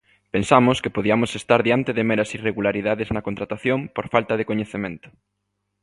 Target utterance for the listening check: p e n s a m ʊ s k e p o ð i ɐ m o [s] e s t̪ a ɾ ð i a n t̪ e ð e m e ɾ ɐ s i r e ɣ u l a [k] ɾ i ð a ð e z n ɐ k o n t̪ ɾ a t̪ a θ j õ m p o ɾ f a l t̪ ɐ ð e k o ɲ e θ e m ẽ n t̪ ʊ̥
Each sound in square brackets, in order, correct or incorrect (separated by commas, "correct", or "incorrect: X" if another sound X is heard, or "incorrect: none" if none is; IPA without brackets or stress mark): correct, incorrect: none